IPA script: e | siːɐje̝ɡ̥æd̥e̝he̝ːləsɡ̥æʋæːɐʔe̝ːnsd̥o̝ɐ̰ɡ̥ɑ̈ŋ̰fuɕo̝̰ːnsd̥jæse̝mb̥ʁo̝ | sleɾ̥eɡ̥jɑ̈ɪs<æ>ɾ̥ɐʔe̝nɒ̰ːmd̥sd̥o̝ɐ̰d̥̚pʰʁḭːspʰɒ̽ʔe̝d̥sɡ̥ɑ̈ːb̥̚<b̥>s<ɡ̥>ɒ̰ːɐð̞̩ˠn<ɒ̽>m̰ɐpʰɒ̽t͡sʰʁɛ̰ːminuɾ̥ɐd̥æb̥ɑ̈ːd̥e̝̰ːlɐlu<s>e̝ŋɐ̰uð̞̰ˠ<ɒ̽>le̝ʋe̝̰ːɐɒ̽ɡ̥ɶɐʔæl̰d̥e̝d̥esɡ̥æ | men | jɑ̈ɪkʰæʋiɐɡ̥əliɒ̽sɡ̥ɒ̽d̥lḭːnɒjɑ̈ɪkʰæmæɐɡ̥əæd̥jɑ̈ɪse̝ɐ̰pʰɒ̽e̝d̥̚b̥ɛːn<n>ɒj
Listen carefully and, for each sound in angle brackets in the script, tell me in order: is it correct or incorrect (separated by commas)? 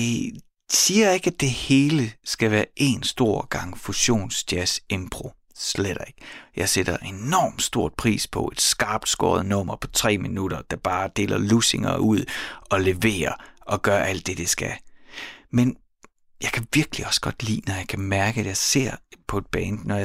incorrect, incorrect, correct, incorrect, correct, correct, correct